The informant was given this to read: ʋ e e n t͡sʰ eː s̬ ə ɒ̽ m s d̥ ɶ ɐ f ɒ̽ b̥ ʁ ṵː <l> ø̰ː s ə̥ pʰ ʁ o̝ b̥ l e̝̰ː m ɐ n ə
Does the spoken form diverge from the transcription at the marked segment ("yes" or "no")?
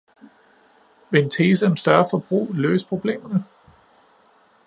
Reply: no